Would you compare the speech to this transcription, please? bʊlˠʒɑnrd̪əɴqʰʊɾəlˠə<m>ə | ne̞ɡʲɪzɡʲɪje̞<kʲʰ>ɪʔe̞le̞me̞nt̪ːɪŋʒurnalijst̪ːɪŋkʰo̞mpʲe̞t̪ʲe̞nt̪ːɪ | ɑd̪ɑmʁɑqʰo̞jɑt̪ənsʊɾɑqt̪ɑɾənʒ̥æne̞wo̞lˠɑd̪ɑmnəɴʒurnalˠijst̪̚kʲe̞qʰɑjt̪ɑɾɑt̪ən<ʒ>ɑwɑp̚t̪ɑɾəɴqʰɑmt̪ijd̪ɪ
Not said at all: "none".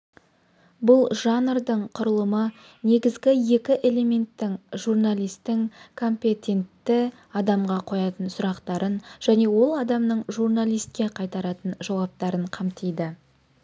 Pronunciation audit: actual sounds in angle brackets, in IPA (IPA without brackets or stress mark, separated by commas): m, kʲ, ʒ